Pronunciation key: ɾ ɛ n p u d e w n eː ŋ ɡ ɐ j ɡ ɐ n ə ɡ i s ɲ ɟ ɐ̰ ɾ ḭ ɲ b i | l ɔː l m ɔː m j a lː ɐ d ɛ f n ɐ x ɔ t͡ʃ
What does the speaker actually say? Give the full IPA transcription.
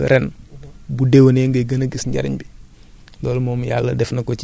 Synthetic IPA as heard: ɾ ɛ n b u d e w n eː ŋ ɡ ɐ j ɡ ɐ n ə ɡ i s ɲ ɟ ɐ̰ ɾ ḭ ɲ b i | l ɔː l m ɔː m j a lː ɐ d ɛ f n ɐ k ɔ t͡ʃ